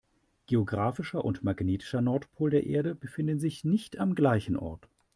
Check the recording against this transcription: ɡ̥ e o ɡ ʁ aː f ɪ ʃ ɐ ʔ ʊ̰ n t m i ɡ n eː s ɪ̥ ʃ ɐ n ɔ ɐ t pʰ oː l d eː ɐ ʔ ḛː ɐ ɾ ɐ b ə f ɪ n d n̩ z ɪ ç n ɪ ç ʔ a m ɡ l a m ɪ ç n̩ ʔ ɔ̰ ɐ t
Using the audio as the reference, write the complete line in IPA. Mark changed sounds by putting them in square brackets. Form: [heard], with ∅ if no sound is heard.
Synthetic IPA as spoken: ɡ̥ e o ɡ ʁ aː f ɪ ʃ ɐ ʔ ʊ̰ n t m [a] ɡ n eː [t] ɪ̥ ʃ ɐ n ɔ ɐ t pʰ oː l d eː ɐ ʔ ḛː ɐ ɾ [ə] b ə f ɪ n d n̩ z ɪ ç n ɪ ç [t] a m ɡ l a [∅] ɪ ç n̩ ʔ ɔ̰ ɐ t